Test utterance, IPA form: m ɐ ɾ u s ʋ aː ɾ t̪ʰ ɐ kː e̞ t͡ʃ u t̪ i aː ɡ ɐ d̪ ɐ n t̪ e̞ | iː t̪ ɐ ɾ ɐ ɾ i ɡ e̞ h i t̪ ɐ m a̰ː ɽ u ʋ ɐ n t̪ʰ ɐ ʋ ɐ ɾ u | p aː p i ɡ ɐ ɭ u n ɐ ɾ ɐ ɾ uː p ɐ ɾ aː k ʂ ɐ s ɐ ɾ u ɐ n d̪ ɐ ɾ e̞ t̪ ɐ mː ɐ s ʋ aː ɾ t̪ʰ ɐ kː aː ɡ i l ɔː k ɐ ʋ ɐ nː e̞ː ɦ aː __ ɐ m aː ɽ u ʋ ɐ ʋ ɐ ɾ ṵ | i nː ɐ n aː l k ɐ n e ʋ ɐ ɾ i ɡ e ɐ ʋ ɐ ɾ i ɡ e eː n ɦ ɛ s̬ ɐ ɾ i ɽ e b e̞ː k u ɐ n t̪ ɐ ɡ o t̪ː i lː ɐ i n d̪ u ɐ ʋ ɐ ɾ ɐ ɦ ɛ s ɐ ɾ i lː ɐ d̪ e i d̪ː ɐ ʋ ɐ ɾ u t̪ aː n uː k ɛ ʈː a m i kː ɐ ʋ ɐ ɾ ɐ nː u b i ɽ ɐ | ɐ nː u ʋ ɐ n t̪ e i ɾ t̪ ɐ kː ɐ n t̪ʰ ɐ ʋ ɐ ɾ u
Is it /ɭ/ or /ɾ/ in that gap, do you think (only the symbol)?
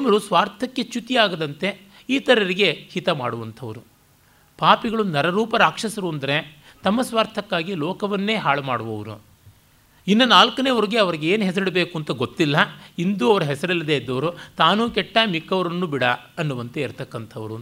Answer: ɭ